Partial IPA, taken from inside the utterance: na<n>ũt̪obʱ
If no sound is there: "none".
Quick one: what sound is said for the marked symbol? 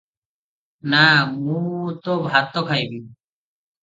m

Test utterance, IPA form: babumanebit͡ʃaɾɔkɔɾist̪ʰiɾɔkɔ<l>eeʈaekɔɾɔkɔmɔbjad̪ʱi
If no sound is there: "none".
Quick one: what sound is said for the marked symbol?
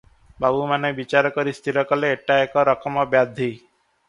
l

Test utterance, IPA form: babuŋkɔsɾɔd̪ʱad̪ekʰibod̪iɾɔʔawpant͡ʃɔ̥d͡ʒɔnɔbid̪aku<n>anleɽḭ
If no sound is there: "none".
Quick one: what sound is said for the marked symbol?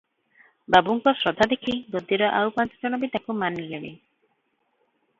m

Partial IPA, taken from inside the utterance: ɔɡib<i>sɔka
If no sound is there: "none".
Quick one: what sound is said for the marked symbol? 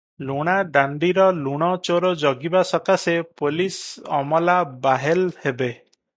a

